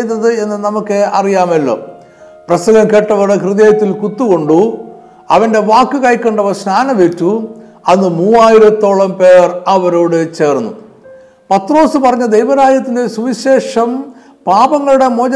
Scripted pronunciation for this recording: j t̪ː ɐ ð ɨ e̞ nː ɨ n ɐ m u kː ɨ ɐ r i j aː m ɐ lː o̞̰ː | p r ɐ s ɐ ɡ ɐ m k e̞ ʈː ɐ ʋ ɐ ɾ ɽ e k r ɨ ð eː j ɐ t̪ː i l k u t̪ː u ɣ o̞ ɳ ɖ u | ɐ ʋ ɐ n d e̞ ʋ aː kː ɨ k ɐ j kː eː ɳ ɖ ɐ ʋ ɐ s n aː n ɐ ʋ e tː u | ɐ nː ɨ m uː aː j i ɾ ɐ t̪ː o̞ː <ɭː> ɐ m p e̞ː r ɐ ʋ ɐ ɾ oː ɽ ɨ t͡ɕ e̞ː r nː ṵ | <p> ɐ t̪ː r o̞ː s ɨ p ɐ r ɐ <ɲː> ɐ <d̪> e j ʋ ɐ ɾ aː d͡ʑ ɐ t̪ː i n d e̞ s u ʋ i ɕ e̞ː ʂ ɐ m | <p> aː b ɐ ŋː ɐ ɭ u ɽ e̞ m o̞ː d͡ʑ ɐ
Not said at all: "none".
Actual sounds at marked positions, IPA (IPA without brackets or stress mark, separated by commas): ɭ, p, ɲː, d̪, p